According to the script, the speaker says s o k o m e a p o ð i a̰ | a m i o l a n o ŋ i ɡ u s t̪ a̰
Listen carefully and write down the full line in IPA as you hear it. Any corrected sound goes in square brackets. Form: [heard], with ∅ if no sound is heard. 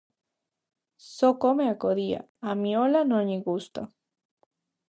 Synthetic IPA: s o k o m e a [k] o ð i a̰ | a m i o l a n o [ɲ] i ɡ u s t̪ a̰